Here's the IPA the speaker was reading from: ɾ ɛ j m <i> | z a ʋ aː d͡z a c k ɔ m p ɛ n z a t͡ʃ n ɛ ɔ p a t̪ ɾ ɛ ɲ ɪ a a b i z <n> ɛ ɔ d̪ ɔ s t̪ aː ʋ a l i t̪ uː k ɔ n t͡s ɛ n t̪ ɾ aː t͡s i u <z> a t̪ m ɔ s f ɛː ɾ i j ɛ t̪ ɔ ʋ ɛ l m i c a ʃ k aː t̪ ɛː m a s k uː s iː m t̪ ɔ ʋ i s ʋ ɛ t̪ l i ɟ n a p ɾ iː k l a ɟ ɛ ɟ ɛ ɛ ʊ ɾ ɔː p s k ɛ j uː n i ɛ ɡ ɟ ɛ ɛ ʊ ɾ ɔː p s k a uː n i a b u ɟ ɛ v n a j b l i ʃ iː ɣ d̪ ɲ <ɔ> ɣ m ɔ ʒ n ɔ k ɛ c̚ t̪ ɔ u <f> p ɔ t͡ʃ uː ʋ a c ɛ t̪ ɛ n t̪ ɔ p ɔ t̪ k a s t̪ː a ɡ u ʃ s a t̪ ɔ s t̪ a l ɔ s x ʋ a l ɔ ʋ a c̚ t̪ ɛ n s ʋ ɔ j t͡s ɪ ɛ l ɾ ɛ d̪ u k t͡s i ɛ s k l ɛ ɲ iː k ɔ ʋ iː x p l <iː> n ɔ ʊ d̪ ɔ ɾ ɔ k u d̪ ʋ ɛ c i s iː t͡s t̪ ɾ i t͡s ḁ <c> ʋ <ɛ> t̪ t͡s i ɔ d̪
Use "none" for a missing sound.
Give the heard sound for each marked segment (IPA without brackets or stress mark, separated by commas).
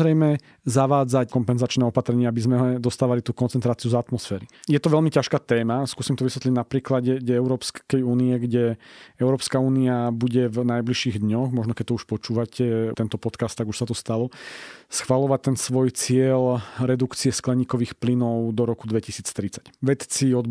ɛ, m, z, ɔ, ʃ, i, c, ɛ